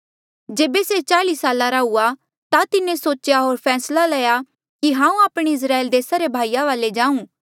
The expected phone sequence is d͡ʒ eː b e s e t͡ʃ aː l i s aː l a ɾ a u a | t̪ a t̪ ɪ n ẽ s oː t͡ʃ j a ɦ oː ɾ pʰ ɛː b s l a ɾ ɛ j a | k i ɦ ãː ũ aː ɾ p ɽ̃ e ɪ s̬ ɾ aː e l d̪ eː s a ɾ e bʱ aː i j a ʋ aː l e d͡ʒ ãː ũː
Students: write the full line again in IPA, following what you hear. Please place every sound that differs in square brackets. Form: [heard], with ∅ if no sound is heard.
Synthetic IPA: d͡ʒ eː b e s e t͡ʃ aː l i s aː l a ɾ a u a | t̪ a t̪ ɪ n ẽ s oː t͡ʃ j a ɦ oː ɾ pʰ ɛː [∅] s l a [l] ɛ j a | k i ɦ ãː ũ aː [∅] p ɽ̃ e ɪ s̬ ɾ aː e l d̪ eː s a ɾ e bʱ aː i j a ʋ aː l e d͡ʒ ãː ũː